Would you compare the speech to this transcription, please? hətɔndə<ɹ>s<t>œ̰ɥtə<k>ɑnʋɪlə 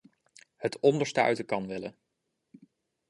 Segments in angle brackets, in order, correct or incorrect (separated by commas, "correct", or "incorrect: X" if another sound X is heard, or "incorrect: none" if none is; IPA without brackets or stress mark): correct, correct, correct